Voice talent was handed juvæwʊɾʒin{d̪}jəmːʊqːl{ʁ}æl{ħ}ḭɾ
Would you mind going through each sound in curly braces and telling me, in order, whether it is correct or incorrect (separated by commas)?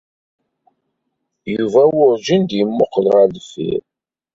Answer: correct, correct, incorrect